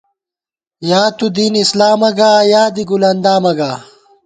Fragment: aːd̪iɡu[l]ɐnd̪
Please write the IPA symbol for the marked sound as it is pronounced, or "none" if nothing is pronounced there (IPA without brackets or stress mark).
l